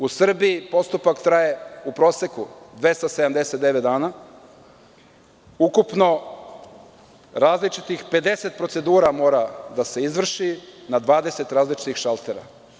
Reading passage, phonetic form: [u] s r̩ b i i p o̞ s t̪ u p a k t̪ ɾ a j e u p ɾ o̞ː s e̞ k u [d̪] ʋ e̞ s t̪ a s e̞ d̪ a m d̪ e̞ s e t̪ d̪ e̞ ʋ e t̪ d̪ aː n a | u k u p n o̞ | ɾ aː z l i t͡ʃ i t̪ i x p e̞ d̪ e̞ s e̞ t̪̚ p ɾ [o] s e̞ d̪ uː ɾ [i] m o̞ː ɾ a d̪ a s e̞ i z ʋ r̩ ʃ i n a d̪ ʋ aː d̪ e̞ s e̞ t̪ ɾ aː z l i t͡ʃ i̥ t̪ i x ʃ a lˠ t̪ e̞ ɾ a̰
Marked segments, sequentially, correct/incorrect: correct, correct, correct, incorrect: a

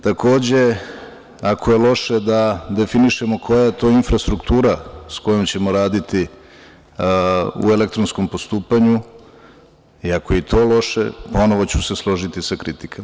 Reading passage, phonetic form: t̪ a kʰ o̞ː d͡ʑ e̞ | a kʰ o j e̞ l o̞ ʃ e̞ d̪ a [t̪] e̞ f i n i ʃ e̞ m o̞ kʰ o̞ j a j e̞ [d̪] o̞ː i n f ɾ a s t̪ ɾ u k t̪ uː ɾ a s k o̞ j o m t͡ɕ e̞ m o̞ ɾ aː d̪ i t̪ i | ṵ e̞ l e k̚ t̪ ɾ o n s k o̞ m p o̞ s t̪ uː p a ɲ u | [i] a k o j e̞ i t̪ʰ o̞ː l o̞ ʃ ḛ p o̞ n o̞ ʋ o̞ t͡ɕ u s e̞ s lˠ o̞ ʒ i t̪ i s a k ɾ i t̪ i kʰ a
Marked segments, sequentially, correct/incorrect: incorrect: d̪, incorrect: t̪, correct

